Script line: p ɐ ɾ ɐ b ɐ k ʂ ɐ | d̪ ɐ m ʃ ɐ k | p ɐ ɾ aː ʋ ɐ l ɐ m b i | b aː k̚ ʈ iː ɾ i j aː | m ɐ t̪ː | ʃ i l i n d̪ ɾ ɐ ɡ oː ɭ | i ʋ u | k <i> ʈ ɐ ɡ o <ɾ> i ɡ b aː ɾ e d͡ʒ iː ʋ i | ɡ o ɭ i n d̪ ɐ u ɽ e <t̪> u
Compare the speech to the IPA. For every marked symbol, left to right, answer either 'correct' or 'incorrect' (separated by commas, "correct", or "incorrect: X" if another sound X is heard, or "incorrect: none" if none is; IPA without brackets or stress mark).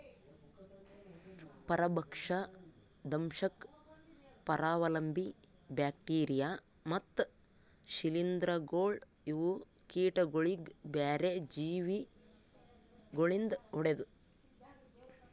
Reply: incorrect: iː, incorrect: ɭ, incorrect: d̪